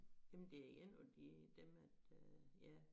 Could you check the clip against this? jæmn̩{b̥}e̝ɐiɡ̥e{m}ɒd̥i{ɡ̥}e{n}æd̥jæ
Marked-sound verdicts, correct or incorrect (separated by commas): incorrect, incorrect, incorrect, incorrect